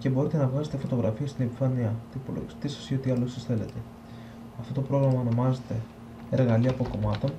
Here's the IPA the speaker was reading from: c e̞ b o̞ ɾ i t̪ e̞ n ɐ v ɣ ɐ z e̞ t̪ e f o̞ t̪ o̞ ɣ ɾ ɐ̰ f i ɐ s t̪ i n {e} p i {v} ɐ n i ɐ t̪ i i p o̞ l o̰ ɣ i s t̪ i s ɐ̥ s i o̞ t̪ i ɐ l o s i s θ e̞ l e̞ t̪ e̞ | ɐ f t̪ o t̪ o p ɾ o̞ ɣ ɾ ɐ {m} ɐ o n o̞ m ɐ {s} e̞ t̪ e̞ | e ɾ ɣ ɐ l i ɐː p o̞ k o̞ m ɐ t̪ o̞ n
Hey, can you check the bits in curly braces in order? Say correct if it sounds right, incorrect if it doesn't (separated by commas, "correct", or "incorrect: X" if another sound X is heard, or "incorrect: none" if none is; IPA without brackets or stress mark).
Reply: correct, incorrect: f, correct, incorrect: z